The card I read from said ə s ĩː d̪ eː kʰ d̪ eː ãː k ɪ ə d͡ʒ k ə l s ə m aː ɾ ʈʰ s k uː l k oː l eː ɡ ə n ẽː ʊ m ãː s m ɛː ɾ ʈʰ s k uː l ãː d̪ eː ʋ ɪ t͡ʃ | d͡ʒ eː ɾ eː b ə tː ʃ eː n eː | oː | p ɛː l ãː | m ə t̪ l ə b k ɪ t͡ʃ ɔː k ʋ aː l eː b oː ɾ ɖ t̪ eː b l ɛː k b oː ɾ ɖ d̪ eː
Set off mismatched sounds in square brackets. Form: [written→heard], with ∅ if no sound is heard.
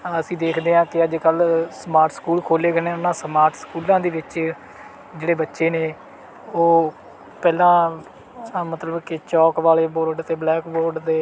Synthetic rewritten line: ə s ĩː d̪ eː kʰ d̪ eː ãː k ɪ ə d͡ʒ k ə l s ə m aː ɾ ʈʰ s k uː l [k→kʰ] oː l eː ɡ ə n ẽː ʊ [m→n] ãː s m [ɛː→aː] ɾ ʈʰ s k uː l ãː d̪ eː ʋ ɪ t͡ʃ | d͡ʒ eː [ɾ→ɽ] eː b ə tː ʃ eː n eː | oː | p ɛː l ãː | m ə t̪ l ə b k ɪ t͡ʃ ɔː k ʋ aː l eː b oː ɾ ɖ t̪ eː b l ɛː k b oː ɾ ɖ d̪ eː